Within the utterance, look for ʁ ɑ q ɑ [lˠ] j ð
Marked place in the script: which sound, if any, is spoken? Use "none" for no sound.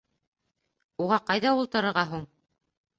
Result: none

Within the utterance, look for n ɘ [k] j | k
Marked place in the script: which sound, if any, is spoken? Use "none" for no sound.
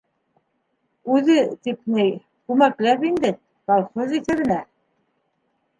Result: none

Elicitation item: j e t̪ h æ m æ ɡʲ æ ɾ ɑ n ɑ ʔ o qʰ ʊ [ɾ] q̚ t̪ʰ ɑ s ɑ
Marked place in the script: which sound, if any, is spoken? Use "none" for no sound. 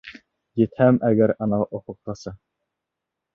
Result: none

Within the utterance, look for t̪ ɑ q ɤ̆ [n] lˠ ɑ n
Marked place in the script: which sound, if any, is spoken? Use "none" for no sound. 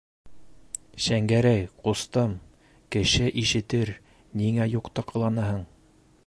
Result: none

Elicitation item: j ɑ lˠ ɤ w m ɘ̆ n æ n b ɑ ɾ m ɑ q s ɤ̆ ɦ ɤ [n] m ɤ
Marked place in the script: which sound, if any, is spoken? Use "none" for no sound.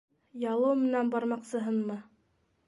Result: n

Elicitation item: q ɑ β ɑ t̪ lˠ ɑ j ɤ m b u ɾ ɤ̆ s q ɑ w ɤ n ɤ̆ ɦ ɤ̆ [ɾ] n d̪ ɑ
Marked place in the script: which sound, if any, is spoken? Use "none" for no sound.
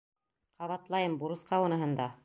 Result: none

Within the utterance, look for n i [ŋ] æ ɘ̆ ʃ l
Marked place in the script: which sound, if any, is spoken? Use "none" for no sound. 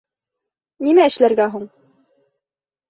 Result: m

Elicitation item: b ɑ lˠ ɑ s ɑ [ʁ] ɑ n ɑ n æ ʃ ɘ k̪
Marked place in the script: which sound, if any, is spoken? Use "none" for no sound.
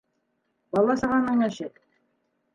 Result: ʁ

